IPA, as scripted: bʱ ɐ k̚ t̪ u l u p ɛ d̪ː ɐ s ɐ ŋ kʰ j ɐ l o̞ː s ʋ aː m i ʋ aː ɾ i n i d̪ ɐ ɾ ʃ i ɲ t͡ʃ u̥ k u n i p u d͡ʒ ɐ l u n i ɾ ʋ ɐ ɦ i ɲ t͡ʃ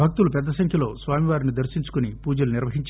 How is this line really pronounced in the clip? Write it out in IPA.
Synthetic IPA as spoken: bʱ ɐ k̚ t̪ u l u p ɛ d̪ː ɐ s ɐ ŋ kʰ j ɐ l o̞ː s ʋ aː m i ʋ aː ɾ i n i d̪ ɐ ɾ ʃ i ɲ t͡ʃ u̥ k u n i p uː d͡ʒ ɐ l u n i ɾ ʋ ɐ ɦ i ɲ t͡ʃ